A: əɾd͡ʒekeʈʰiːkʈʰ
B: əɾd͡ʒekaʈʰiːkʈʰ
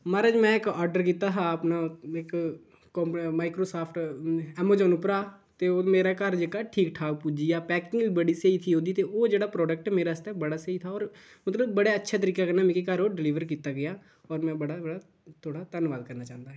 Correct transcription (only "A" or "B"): B